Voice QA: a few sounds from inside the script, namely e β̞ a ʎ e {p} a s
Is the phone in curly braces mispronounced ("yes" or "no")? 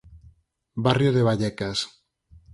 yes